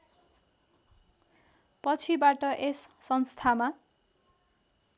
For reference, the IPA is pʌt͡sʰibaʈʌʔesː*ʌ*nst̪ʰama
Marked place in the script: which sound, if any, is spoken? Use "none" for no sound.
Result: ʌ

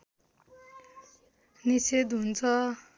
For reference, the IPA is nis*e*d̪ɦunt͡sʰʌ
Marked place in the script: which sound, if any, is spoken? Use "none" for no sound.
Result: e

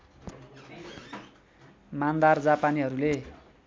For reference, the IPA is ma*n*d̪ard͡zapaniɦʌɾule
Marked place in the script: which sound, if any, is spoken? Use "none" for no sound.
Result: n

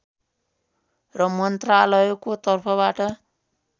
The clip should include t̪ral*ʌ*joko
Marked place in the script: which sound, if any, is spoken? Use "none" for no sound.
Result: ʌ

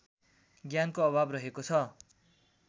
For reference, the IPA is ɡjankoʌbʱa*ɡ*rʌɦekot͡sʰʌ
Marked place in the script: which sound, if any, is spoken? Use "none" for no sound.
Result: b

